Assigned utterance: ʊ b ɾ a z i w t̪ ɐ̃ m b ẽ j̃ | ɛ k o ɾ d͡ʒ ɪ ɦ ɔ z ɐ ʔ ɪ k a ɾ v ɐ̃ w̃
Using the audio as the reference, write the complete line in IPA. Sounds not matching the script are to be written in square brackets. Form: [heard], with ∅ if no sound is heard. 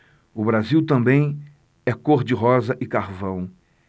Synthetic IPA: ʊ b ɾ a z i w t̪ ɐ̃ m b ẽ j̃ | ɛ k o ɾ d͡ʒ ɪ ɦ ɔ z ɐ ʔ ɪ k a ɾ v ɐ̃ w̃